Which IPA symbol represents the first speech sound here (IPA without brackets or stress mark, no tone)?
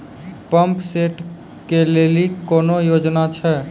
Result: p